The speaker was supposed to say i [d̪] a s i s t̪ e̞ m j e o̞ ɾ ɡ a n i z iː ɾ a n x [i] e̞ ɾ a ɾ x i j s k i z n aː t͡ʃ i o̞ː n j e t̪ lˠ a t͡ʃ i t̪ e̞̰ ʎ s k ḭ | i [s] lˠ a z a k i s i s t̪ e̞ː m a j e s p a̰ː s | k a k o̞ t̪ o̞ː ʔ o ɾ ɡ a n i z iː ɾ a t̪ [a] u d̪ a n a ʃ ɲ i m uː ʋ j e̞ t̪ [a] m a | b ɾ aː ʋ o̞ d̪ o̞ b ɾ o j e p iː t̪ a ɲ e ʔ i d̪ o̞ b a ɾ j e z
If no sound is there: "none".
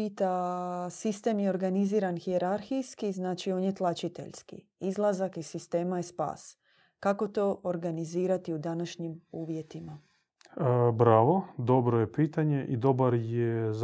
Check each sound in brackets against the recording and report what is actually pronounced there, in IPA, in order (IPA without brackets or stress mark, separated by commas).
t̪, i, z, i, i